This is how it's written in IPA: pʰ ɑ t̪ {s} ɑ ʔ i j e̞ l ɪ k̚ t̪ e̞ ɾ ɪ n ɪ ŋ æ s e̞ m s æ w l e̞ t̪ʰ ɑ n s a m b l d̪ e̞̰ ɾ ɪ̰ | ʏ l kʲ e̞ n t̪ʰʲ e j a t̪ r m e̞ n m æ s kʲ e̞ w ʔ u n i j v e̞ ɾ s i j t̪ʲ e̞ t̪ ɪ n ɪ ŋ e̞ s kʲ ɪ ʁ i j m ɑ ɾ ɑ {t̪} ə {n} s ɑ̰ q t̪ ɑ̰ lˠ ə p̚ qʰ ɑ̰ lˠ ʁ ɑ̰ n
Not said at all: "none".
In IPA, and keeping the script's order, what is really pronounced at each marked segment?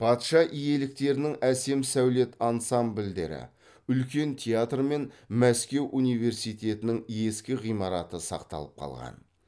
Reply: ʃ, t̪, none

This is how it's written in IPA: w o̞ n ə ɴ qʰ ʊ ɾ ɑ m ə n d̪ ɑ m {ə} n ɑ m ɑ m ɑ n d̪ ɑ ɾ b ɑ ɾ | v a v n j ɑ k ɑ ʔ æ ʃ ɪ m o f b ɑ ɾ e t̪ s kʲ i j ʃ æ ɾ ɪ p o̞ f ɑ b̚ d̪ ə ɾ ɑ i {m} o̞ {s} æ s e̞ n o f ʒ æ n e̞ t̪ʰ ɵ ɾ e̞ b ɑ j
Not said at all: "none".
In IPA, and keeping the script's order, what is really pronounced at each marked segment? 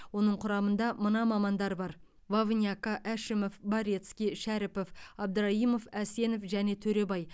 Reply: ə, m, f

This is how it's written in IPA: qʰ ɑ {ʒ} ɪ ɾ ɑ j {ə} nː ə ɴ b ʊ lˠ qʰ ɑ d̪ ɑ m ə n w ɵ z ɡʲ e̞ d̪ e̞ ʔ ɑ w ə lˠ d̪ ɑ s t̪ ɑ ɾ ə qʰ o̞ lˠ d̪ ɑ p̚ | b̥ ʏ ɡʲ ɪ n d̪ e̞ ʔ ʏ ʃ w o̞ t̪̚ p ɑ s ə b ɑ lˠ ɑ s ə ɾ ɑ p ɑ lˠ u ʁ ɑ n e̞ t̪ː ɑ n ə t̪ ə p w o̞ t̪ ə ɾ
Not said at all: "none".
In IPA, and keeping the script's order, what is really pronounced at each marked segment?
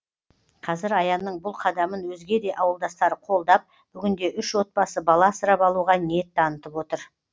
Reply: z, ɑ

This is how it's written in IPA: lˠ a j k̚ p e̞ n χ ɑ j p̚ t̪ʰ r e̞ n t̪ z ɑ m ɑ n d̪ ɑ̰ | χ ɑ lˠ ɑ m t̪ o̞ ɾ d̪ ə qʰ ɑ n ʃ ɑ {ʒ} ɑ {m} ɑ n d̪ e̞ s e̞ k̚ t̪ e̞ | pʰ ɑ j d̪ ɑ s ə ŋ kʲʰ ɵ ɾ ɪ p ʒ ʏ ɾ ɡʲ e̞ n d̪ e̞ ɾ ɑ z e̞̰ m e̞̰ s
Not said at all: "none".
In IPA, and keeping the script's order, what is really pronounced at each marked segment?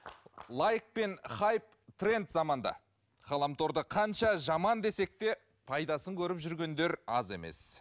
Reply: ʒ, m

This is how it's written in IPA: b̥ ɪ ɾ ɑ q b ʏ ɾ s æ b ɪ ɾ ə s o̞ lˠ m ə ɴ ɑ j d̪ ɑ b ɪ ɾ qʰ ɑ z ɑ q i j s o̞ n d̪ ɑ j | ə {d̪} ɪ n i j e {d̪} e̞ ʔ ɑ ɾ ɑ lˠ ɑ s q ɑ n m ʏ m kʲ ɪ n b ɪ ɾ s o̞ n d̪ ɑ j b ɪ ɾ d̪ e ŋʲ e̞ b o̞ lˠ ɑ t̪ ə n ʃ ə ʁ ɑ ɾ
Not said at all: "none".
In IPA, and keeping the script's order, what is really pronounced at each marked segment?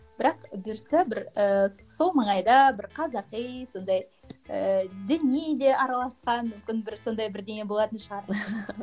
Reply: d̪, d̪

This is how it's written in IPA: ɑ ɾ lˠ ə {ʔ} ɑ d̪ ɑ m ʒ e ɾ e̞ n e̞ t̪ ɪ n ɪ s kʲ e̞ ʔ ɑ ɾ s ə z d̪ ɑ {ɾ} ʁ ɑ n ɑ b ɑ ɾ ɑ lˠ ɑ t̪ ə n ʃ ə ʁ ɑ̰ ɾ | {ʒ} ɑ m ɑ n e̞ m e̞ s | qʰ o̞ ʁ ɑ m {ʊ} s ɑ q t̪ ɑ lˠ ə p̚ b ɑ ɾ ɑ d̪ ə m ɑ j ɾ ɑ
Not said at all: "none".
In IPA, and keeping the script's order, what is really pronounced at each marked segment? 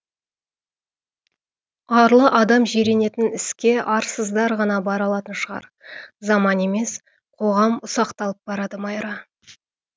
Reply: ʔ, ɾ, z, ʊ

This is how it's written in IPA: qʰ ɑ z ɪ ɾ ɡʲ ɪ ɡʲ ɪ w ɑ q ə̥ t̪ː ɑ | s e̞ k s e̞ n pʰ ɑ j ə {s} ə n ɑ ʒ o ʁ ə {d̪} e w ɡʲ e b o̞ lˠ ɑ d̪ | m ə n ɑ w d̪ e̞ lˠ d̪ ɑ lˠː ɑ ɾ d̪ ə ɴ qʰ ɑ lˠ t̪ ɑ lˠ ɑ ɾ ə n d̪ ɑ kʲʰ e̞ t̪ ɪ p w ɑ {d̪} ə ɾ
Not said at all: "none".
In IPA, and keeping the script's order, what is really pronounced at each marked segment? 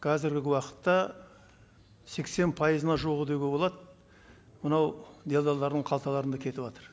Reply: z, d̪, t̪

